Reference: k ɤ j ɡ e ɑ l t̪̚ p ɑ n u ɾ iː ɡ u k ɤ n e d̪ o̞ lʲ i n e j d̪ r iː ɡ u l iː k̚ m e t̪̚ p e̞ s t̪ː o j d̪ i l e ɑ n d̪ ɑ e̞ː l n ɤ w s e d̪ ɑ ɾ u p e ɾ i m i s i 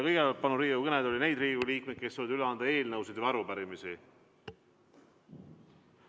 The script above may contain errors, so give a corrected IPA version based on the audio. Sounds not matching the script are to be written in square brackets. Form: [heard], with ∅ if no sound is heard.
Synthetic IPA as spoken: k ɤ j ɡ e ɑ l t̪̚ p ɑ n u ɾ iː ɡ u k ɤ n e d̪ o̞ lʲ i n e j d̪ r iː ɡ u l iː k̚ m e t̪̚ [k] e̞ s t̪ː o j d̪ [y] l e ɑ n d̪ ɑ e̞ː l n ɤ w s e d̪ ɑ ɾ u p [æ] ɾ i m i s i